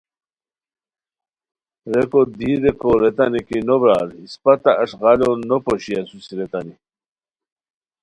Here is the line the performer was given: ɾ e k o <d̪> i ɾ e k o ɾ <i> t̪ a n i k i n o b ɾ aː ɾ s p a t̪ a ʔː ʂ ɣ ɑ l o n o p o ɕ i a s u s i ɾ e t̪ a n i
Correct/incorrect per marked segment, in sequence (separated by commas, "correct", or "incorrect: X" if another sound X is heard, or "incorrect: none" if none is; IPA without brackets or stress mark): correct, incorrect: e